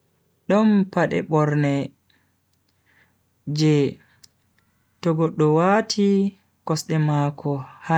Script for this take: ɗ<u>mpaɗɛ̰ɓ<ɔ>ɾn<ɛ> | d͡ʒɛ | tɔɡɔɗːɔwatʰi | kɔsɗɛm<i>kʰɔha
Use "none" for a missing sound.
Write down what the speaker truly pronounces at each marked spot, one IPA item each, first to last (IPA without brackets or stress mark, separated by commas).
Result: ɔ, ɔ, ɛ, a